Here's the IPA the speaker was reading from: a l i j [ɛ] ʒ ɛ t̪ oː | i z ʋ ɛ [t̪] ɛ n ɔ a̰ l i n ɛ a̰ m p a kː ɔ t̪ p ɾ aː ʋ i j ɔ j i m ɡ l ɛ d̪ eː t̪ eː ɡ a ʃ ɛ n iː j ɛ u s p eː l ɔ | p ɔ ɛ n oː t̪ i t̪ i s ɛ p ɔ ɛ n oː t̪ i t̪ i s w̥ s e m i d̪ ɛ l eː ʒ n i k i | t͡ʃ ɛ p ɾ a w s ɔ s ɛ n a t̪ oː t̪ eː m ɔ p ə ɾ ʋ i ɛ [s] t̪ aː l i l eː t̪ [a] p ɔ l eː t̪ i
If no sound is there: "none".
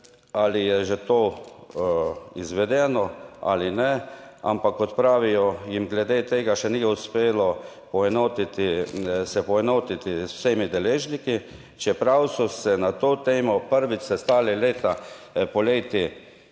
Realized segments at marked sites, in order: ɛ, d̪, s, a

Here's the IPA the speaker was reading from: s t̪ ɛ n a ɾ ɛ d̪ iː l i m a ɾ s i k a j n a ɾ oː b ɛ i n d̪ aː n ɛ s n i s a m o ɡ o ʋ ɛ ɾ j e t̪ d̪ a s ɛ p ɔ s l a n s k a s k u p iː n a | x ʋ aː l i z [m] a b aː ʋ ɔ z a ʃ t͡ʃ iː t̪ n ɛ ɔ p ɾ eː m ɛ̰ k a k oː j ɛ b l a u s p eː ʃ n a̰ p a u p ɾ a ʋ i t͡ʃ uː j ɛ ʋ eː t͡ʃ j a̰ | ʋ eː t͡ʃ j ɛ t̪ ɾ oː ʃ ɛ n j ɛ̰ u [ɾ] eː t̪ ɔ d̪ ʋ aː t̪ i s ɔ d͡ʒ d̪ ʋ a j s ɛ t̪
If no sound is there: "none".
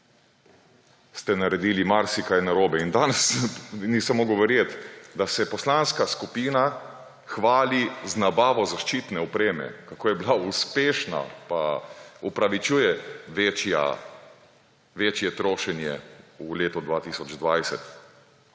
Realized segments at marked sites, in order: n, l

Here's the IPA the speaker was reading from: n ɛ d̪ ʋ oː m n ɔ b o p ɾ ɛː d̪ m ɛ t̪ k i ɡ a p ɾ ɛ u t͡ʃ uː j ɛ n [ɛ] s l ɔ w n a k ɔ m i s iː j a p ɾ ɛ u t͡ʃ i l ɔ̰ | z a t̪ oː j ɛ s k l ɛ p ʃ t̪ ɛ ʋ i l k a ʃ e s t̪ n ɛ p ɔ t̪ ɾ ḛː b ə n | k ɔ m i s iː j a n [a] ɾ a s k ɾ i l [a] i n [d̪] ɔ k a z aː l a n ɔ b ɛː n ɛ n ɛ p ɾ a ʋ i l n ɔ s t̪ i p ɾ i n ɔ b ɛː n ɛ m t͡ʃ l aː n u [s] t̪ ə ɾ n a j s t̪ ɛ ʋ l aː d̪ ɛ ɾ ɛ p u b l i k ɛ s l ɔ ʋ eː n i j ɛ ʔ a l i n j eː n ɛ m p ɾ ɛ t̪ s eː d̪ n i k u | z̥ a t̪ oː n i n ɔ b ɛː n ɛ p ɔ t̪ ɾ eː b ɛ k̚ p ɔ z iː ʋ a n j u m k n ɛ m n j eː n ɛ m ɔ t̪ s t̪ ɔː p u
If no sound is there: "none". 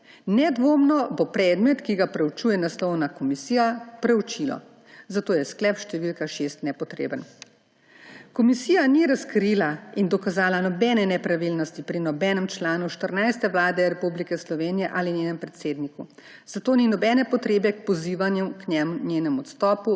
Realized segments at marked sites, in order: a, i, a, d̪, ʃ

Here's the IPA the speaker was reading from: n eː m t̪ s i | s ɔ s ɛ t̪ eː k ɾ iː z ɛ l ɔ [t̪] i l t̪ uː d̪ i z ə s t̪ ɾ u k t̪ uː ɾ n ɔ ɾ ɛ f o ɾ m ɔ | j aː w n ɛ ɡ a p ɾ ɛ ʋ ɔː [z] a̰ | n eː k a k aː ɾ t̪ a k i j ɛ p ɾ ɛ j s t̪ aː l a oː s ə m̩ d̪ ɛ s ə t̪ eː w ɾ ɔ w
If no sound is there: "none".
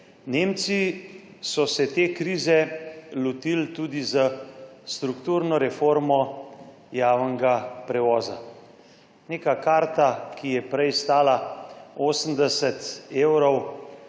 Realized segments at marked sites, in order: t̪, z

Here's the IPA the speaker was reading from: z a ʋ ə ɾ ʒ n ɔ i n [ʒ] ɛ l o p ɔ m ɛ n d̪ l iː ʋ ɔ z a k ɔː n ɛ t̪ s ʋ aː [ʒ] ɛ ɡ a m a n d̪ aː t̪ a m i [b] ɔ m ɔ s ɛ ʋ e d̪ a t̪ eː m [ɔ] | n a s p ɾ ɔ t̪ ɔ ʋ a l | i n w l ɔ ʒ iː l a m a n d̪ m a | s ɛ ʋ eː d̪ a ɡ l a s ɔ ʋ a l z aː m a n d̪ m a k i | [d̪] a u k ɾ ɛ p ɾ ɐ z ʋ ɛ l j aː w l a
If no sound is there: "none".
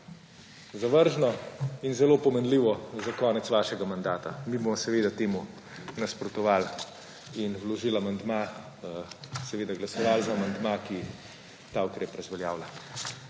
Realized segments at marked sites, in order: z, ʃ, b, u, t̪

